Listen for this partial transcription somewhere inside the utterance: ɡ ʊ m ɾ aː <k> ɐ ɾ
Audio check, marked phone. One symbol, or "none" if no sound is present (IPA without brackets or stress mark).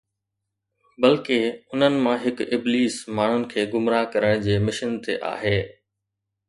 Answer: k